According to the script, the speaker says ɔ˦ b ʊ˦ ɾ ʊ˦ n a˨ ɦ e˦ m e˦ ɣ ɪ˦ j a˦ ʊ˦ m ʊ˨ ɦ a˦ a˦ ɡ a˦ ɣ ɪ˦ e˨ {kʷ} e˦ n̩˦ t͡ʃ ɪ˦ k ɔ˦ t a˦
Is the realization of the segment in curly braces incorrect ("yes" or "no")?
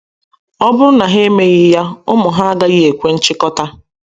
no